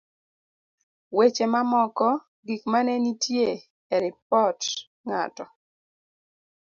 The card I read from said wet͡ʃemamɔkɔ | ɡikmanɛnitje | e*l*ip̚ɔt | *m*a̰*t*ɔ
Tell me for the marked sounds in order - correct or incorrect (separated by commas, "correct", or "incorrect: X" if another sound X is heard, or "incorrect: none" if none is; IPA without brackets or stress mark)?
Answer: incorrect: ɾ, incorrect: ŋ, correct